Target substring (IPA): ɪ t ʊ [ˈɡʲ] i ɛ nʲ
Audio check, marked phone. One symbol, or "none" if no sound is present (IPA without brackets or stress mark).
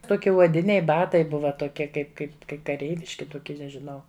kʲ